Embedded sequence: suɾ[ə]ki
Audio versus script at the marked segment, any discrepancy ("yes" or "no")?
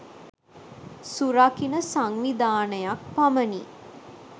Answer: yes